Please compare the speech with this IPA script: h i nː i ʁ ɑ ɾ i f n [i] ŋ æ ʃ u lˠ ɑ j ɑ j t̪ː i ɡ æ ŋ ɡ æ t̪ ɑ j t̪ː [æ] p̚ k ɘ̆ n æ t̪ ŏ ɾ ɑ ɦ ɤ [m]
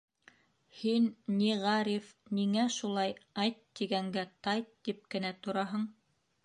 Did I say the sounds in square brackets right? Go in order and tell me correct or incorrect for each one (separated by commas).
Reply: correct, incorrect, incorrect